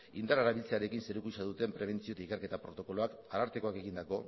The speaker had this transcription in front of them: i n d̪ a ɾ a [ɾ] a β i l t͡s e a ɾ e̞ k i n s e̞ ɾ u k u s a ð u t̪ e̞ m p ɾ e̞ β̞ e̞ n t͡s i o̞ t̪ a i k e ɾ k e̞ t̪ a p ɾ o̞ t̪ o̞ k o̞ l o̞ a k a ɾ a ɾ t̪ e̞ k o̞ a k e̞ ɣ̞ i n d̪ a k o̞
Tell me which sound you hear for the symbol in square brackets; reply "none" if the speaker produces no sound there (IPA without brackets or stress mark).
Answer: ɾ